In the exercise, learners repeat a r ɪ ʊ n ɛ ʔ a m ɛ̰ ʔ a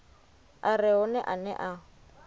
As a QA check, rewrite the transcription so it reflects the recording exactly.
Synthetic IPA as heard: a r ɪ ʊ n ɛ ʔ a n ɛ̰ ʔ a